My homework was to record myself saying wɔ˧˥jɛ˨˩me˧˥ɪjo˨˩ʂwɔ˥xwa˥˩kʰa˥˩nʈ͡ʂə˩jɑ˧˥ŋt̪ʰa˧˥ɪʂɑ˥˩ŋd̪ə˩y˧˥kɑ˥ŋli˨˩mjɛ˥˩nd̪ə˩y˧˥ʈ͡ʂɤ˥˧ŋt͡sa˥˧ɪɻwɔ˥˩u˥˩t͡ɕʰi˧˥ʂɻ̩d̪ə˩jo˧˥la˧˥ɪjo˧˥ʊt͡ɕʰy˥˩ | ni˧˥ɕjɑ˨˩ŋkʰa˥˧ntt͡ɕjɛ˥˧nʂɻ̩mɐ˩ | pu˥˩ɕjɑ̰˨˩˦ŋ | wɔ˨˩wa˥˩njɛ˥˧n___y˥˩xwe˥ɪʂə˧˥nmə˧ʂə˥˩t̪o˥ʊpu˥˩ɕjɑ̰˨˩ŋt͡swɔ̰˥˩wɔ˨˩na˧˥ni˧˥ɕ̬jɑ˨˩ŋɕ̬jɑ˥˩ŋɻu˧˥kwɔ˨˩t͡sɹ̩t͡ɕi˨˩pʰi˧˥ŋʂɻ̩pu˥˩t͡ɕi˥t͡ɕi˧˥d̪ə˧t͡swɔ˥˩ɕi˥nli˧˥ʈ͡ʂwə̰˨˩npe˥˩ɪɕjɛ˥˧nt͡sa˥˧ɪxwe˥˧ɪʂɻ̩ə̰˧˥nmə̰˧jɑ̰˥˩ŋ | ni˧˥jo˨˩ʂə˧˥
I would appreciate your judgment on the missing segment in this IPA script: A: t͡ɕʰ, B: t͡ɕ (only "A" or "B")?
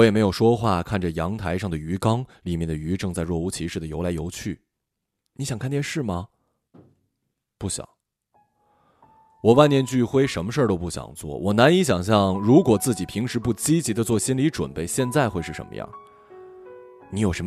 B